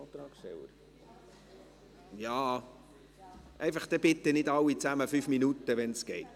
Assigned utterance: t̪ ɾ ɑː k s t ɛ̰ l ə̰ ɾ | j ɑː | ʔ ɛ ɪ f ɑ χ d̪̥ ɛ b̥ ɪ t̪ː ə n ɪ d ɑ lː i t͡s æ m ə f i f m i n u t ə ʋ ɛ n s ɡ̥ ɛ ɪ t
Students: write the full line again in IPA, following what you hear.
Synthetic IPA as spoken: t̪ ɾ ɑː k ʃ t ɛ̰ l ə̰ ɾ | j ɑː | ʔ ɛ ɪ f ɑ χ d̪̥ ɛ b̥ ɪ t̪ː ə n ɪ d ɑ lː i t͡s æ m ə f y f m i n u t ə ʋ ɛ n s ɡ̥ ɛ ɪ t